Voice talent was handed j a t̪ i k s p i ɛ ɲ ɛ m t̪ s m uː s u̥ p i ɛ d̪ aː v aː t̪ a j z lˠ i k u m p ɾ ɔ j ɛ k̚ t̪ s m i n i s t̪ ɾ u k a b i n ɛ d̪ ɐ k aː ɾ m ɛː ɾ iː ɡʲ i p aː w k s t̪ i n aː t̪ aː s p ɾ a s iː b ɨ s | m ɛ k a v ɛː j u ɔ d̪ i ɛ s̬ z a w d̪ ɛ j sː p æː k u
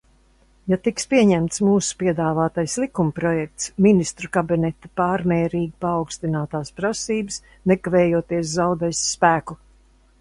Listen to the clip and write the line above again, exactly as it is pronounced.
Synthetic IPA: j a t̪ i k s p i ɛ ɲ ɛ m t̪ s m uː s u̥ p i ɛ d̪ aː v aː t̪ a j s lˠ i k u m p ɾ ɔ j ɛ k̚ t̪ s m i n i s t̪ ɾ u k a b i n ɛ t̪ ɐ p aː ɾ m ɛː ɾ iː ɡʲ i p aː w k s t̪ i n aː t̪ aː s p ɾ a s iː b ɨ s | n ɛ k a v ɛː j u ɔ t̪ i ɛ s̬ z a w d̪ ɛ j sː p æː k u